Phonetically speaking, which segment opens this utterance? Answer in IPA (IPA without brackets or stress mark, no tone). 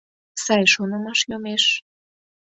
s